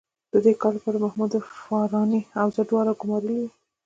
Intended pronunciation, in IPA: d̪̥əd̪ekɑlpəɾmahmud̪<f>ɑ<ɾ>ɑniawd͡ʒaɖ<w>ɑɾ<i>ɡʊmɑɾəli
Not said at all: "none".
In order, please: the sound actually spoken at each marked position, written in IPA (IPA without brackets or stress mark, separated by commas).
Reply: f, ɾ, w, a